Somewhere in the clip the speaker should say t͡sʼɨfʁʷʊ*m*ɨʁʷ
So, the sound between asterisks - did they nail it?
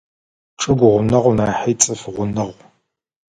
no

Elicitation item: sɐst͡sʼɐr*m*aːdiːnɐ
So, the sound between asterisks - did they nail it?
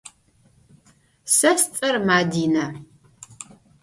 yes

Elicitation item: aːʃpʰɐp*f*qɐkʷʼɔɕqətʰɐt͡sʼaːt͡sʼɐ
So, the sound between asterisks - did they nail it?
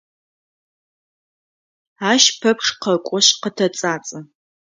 no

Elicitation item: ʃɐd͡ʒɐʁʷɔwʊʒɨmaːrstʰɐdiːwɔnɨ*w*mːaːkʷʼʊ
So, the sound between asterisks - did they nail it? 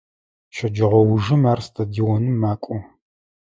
no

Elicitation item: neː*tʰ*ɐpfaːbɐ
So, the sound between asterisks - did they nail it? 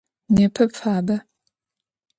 no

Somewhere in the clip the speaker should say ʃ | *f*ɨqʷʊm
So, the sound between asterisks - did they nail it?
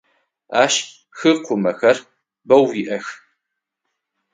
no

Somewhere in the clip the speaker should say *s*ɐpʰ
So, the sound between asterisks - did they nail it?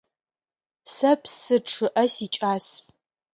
yes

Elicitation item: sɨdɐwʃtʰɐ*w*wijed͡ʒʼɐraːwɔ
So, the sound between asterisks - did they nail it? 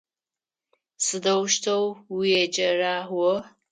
yes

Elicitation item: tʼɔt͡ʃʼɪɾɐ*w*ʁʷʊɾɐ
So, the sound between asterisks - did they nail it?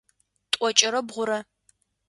no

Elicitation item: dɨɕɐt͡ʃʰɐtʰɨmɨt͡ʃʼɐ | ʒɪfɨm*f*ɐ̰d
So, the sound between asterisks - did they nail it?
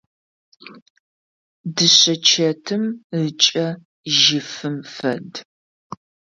yes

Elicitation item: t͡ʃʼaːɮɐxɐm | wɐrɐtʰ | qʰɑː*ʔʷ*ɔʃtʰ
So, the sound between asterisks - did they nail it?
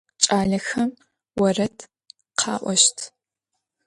yes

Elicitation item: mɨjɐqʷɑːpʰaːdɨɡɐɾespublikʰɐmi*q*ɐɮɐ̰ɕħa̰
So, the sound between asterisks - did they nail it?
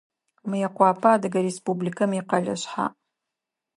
yes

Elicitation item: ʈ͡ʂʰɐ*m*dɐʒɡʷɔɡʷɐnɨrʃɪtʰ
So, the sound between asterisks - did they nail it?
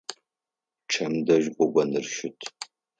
yes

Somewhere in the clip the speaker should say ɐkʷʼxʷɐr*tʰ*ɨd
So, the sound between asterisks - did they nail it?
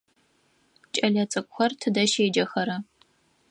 yes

